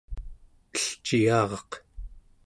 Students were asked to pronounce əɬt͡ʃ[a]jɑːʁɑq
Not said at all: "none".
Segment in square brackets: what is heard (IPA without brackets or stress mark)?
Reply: i